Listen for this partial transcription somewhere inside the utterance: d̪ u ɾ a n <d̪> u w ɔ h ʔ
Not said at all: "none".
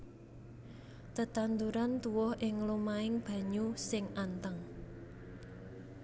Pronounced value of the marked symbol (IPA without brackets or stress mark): t̪